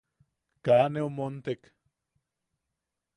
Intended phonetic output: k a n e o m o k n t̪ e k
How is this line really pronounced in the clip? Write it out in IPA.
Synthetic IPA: k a n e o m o n t̪ e k